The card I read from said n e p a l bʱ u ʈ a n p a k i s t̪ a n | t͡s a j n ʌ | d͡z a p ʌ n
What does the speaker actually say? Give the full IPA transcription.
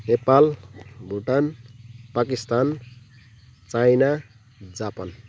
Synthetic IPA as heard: n e p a l bʱ u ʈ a n p a k i s t̪ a n | t͡s a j n a | d͡z a p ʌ n